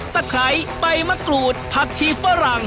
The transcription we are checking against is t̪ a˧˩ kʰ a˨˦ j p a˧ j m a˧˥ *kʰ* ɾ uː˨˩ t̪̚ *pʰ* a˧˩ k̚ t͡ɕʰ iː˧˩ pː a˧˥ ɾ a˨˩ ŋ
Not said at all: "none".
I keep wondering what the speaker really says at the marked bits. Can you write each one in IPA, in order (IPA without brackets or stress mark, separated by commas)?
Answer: k, pʰ